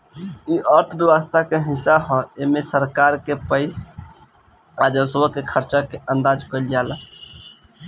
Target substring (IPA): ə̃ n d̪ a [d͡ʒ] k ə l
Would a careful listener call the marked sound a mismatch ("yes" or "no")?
no